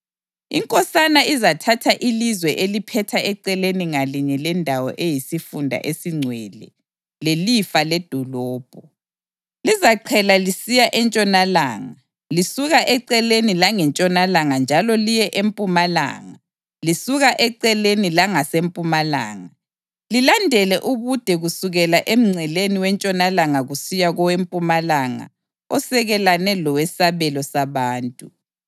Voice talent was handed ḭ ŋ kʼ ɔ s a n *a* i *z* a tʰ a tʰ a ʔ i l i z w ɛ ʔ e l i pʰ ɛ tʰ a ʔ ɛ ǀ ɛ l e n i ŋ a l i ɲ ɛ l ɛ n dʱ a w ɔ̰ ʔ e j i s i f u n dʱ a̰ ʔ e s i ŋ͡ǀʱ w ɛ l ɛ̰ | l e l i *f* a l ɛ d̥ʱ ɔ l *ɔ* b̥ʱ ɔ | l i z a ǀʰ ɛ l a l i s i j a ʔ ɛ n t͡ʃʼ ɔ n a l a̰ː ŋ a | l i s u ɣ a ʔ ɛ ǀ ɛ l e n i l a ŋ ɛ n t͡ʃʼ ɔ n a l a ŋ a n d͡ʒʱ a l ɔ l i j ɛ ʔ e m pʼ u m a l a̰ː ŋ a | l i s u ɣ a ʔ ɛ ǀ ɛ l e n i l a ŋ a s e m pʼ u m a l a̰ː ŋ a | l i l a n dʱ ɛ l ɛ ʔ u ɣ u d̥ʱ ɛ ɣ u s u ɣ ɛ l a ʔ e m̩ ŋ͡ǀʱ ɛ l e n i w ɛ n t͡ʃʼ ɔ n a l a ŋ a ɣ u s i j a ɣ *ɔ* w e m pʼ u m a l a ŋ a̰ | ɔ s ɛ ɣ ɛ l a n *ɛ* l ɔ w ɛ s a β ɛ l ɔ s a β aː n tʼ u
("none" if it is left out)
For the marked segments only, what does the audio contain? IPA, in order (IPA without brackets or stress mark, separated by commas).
a, z, f, ɔː, ɔ, ɛ